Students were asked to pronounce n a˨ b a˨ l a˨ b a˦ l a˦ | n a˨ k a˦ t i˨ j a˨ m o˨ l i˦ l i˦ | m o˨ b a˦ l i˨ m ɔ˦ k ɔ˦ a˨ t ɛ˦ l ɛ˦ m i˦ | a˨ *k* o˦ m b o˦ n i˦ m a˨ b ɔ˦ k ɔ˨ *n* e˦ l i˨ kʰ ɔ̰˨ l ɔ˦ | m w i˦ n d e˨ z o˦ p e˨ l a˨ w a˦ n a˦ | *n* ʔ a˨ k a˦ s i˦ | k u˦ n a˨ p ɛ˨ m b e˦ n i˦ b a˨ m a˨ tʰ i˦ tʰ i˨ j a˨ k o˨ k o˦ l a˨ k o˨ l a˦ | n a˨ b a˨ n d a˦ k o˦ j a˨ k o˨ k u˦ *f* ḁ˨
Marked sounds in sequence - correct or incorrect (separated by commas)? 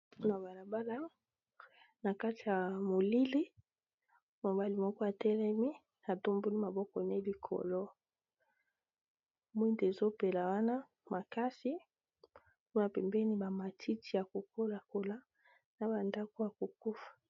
incorrect, correct, incorrect, correct